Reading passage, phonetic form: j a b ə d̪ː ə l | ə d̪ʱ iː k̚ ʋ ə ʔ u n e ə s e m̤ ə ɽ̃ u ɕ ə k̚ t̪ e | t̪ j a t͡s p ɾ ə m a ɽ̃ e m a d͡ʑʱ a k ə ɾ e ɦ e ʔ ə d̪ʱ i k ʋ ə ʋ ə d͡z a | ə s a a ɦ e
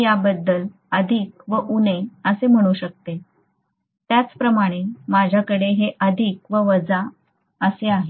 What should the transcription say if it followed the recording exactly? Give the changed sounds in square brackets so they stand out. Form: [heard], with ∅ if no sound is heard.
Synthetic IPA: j a b ə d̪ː ə l | ə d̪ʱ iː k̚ ʋ ə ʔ u n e ə s e m̤ ə ɽ̃ u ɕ ə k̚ t̪ e | t̪ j a t͡s p ɾ ə m a ɽ̃ e m a d͡ʑʱ a k ə [ɽ] e ɦ e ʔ ə d̪ʱ i k ʋ ə ʋ ə d͡z a | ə s [e] a ɦ e